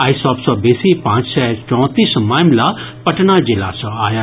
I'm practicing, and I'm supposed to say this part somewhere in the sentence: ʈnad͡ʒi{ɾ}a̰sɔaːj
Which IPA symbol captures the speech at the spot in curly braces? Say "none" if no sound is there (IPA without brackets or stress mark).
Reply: l